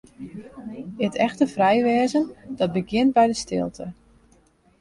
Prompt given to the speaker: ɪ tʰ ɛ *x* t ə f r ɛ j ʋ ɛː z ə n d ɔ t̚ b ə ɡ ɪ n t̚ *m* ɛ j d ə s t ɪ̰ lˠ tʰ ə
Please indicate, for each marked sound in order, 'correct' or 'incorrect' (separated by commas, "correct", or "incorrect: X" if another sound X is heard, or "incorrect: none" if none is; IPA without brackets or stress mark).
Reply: correct, incorrect: b